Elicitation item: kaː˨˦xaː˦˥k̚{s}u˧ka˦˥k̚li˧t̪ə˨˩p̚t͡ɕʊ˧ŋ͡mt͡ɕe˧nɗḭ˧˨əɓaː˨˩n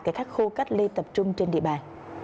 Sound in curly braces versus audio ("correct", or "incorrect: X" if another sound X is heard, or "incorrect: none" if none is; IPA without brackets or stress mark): incorrect: x